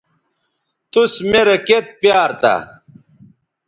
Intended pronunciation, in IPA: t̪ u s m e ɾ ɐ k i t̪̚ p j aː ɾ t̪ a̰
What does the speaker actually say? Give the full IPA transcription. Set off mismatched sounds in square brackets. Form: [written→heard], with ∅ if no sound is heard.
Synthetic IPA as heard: t̪ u s m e ɾ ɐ k [i→e] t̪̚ p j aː ɾ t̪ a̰